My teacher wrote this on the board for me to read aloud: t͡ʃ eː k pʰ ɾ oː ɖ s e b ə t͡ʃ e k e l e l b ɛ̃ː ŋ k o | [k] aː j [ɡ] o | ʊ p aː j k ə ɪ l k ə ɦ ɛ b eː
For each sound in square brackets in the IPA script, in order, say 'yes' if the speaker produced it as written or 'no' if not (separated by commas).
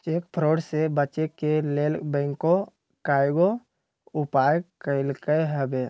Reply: yes, yes